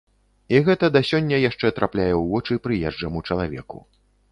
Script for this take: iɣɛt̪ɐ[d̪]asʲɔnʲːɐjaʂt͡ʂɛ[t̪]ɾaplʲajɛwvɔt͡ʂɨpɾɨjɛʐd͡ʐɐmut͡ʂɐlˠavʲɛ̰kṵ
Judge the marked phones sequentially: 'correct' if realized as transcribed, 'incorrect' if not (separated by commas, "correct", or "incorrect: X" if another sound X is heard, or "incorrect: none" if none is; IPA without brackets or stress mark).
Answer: correct, correct